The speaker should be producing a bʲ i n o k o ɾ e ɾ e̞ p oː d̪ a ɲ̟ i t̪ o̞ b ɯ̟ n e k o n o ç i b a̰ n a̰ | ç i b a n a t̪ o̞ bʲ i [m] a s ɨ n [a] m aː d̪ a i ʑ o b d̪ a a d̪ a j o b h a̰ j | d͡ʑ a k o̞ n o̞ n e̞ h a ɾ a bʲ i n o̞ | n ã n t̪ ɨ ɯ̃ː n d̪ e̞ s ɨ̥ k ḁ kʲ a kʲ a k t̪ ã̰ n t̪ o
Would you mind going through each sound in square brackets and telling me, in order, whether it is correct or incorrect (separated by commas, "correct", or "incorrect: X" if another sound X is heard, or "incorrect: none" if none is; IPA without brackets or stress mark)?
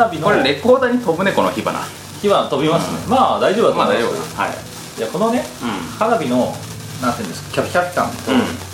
correct, incorrect: e